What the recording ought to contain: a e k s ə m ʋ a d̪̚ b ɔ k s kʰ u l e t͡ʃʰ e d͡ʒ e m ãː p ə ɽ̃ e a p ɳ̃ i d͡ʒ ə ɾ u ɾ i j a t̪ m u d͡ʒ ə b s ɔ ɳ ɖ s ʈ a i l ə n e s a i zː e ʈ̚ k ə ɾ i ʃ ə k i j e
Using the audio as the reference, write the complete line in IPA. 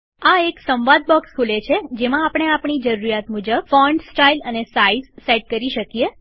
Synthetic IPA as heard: a e k s ə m ʋ a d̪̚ b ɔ k s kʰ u l e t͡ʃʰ e d͡ʒ e m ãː p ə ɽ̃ e a p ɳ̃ i d͡ʒ ə ɾ u ɾ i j a t̪ m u d͡ʒ ə b f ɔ ɳ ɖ s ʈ a i l ə n e s a i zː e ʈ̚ k ə ɾ i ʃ ə k i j e